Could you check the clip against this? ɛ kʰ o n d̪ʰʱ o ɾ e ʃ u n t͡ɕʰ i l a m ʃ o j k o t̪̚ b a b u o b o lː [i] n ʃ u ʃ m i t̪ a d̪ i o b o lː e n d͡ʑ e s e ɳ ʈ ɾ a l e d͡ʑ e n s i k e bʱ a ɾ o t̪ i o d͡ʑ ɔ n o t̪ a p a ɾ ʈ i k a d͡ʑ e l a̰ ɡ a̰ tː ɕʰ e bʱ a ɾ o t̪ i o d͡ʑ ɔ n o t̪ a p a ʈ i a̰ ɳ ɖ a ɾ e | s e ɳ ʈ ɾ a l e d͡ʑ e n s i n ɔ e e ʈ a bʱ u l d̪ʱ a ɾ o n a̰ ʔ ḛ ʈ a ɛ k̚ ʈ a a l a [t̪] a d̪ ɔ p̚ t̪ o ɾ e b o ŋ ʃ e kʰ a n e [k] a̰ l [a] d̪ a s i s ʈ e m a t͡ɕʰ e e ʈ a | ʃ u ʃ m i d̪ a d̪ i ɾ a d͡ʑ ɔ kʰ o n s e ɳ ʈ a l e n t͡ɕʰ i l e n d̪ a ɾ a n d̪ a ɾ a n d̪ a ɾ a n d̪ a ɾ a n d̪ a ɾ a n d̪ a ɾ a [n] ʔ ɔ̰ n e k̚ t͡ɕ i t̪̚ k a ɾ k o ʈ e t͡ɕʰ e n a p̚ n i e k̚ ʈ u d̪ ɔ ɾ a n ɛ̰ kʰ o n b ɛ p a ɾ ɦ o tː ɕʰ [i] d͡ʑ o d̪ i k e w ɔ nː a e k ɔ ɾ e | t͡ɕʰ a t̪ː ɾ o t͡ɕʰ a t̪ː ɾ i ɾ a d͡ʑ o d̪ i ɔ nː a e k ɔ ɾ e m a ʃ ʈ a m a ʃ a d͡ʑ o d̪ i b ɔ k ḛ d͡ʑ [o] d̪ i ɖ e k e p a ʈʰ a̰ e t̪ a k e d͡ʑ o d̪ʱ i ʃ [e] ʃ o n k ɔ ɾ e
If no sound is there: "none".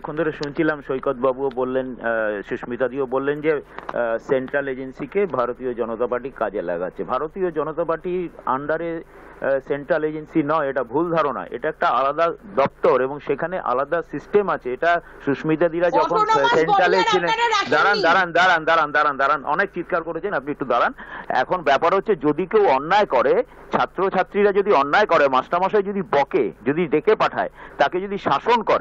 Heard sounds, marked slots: e, d̪, ʔ, a, n, e, o, a

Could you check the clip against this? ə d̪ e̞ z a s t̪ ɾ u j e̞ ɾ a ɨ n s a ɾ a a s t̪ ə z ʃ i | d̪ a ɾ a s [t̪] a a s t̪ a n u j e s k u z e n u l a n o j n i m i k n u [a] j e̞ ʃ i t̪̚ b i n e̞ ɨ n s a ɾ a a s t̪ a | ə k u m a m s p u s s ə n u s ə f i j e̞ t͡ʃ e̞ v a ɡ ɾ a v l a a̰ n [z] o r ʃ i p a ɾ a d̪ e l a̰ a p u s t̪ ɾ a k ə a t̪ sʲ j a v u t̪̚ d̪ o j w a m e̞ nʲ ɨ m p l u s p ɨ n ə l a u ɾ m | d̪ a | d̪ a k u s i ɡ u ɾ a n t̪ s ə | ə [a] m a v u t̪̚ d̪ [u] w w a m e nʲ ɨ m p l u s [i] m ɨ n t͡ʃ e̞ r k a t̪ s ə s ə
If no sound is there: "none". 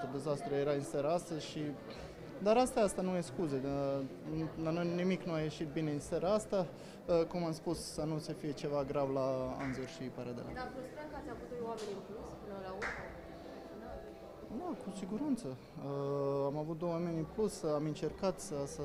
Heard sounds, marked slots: t̪, a, z, a, o, a

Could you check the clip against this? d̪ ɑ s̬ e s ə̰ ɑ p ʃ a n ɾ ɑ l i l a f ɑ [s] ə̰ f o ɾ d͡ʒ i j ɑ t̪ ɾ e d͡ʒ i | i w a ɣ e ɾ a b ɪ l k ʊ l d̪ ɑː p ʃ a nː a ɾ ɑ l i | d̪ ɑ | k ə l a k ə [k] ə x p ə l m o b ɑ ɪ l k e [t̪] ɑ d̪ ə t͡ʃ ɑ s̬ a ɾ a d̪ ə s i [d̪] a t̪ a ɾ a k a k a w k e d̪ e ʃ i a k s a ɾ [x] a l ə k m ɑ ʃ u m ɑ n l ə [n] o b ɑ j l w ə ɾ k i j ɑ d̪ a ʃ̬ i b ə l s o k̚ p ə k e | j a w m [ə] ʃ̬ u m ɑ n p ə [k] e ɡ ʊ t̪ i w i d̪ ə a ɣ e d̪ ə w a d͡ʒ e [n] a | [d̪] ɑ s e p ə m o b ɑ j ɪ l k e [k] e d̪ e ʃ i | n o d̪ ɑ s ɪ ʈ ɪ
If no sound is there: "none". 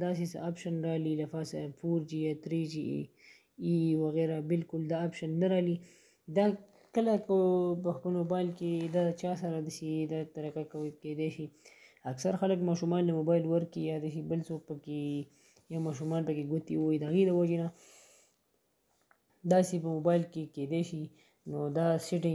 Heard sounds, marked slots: s, p, d̪, d̪, x, m, ɑ, k, n, d̪, k

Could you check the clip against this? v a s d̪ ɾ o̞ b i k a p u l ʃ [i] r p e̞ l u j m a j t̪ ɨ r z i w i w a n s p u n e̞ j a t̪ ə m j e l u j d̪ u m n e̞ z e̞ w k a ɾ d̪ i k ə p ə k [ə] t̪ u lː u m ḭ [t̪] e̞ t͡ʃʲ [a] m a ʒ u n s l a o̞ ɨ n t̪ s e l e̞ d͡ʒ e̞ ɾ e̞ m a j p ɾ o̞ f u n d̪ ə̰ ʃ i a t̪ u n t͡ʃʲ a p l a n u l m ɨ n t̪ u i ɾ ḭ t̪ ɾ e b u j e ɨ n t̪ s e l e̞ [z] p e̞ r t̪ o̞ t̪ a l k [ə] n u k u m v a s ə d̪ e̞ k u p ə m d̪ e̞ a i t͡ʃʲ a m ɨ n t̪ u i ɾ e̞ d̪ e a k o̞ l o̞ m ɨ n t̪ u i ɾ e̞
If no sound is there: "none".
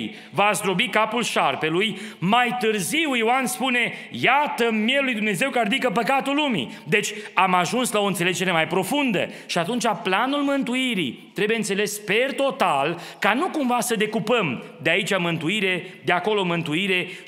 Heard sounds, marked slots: a, a, d̪, a, s, a

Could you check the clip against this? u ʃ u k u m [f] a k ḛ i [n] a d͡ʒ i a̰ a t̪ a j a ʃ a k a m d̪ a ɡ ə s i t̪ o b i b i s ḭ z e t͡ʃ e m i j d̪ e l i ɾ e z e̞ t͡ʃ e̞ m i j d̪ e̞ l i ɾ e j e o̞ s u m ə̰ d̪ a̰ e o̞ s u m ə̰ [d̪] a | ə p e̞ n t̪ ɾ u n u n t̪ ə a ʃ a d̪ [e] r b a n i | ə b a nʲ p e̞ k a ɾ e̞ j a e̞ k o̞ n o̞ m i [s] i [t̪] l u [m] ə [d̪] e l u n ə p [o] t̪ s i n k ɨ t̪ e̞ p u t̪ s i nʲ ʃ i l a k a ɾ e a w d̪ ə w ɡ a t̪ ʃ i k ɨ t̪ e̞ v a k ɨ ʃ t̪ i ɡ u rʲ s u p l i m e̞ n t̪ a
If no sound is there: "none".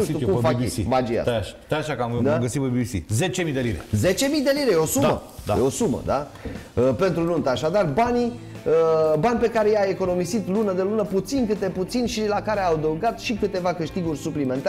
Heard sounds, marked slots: f, m, d̪, a, s, t̪, n, d̪, u

